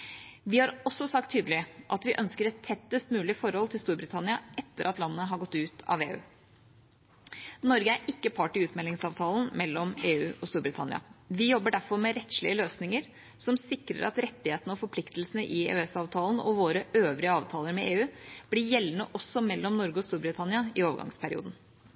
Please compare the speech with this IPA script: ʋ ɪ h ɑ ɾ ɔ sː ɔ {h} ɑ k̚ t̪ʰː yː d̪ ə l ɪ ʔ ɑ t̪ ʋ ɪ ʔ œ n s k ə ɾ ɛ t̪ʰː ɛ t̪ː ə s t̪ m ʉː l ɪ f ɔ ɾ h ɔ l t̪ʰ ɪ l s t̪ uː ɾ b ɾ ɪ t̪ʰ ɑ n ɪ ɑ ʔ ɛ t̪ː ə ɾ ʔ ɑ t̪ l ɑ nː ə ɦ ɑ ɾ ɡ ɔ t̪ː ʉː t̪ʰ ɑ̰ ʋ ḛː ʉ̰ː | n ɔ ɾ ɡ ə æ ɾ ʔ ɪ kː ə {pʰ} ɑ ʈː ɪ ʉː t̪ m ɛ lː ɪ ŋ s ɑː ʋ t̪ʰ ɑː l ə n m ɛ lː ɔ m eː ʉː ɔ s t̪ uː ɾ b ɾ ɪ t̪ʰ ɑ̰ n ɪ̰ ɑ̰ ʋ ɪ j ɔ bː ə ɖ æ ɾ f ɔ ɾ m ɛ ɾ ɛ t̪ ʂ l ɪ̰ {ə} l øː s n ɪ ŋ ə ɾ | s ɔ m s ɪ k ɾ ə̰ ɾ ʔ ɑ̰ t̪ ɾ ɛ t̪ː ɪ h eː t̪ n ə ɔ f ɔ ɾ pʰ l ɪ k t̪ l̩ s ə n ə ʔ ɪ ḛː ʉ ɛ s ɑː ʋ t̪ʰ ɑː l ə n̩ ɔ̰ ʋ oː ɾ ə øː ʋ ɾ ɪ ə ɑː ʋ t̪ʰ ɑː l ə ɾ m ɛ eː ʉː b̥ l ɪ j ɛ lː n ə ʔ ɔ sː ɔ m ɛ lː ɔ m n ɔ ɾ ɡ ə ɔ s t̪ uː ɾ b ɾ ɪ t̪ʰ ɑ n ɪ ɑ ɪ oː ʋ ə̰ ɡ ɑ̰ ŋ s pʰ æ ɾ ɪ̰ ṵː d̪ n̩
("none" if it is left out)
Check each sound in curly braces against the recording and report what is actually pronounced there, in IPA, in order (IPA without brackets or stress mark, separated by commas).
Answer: s, pʰ, ə